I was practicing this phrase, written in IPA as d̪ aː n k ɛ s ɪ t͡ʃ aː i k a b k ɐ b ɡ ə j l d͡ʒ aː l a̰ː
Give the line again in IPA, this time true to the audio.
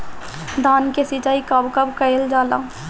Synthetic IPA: d̪ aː n k e s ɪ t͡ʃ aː i k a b k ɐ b k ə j l d͡ʒ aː l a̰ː